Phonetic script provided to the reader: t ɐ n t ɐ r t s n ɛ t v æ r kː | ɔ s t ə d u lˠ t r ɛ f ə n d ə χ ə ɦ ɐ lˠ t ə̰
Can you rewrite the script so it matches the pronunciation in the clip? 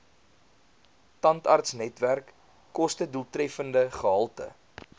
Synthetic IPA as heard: t ɐ n t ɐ r t s n ɛ t v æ r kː | ɔ s t ə d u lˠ t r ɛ f ə n d ə χ ə ɦ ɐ lˠ t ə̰